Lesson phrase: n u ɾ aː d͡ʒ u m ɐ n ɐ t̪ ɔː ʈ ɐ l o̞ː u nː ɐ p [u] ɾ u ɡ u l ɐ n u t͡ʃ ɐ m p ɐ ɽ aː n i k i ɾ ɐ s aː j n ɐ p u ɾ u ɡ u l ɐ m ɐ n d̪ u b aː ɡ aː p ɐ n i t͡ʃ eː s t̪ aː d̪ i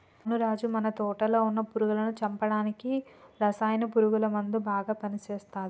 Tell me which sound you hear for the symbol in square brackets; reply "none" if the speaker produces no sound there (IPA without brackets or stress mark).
u